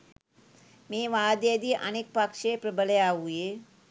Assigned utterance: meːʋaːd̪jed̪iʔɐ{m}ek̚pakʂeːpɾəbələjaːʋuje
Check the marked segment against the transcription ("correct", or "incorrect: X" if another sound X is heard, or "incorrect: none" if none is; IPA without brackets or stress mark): incorrect: n